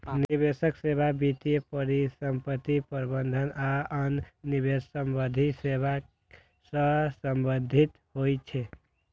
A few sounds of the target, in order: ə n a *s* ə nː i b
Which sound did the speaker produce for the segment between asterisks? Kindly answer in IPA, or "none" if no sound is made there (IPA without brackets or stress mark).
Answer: none